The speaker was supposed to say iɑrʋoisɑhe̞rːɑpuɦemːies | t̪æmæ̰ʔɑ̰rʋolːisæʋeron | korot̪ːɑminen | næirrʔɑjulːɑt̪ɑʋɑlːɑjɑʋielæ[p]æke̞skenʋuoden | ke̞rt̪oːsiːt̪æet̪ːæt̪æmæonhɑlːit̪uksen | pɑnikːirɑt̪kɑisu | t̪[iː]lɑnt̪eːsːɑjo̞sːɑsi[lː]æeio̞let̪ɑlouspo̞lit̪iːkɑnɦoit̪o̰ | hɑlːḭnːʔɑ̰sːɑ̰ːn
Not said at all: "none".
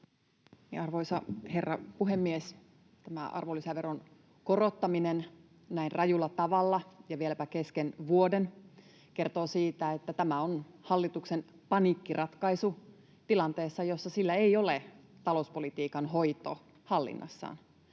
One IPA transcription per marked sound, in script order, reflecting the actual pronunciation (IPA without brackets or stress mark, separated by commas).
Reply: p, i, lː